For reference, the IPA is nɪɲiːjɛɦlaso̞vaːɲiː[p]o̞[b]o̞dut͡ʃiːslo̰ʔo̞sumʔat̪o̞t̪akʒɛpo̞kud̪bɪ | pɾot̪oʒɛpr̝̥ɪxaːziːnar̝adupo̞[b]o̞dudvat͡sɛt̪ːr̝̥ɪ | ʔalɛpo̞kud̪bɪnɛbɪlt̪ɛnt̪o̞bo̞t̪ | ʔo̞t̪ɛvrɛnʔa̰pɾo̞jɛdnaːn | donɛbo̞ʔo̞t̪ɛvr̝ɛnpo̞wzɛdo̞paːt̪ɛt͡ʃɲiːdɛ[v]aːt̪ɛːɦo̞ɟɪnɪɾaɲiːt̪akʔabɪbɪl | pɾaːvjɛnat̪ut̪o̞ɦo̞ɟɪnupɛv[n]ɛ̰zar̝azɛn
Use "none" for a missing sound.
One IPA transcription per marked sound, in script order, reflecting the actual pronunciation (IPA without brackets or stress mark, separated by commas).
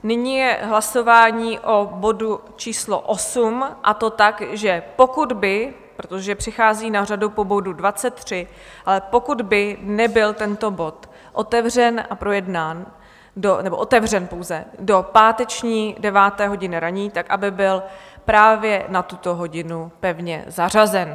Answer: ʔ, b, b, v, ɲ